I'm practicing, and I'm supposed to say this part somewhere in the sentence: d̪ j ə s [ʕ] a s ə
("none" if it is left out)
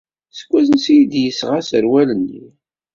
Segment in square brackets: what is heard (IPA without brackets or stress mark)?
ʁ